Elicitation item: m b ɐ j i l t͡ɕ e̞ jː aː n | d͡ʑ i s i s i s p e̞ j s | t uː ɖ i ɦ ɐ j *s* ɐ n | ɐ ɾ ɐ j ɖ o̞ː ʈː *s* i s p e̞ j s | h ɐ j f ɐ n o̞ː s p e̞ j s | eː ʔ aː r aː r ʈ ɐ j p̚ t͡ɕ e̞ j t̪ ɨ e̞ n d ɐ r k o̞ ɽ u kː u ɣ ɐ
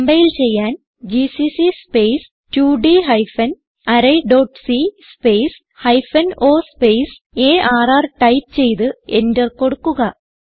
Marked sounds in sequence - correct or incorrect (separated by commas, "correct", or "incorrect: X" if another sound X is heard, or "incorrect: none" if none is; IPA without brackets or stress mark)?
incorrect: f, correct